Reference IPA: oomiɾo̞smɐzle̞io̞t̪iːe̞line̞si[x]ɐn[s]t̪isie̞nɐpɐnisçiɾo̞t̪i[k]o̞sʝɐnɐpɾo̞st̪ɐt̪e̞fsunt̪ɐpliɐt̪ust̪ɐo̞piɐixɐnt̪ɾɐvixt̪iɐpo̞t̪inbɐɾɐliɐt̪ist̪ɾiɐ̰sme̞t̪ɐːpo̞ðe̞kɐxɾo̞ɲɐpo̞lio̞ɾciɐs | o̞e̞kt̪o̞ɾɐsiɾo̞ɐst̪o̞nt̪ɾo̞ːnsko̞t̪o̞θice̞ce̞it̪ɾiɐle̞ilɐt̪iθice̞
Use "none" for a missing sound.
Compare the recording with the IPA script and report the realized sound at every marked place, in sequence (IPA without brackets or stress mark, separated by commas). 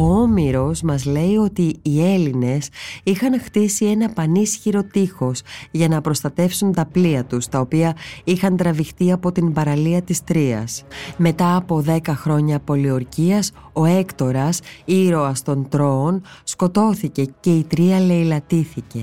x, x, x